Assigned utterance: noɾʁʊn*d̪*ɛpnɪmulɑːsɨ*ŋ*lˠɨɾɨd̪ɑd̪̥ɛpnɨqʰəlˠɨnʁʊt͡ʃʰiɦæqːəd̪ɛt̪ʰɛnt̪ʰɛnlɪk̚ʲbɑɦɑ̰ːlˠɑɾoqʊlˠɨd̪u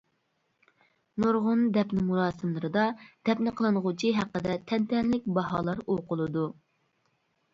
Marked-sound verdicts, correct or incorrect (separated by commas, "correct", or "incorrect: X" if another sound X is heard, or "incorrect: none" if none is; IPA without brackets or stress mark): correct, incorrect: m